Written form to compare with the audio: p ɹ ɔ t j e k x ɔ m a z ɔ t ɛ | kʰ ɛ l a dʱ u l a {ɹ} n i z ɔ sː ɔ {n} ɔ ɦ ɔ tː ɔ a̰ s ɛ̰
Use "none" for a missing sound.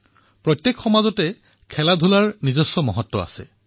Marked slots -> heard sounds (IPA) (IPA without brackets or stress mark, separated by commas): ɹ, m